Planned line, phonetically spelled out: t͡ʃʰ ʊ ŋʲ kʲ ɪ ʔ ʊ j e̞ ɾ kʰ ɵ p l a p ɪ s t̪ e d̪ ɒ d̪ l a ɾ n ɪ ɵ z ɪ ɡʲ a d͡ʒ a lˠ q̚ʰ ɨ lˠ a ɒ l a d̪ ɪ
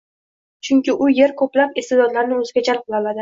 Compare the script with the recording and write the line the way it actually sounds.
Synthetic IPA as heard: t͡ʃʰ ʊ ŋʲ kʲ ɪ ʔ ʊ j e̞ ɾ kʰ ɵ p l a p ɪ s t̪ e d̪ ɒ d̪ l a ɾ n ɪ ɵ z ɪ ɡʲ a d͡ʒ a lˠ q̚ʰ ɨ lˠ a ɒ l a d̪ ɪ